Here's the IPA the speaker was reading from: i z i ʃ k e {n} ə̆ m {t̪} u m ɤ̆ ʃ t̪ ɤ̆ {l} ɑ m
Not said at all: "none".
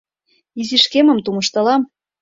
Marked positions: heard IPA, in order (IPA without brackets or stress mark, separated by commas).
m, t̪, l